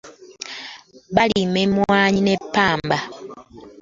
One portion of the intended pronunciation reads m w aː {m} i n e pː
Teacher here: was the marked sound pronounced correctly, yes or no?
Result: no